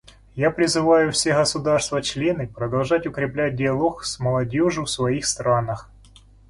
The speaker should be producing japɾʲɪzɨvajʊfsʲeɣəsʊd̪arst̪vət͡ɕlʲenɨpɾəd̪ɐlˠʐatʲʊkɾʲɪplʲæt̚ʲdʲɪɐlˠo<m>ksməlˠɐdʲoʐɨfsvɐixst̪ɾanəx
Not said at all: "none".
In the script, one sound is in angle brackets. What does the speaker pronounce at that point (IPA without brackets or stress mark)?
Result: none